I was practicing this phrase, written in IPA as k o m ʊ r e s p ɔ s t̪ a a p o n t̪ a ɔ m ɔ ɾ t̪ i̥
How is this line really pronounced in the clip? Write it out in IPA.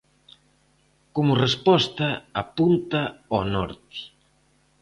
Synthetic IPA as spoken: k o m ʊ r e s p ɔ s t̪ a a p u n t̪ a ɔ n ɔ ɾ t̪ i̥